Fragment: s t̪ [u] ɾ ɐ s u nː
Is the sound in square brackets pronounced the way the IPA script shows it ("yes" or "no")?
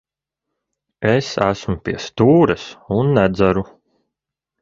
no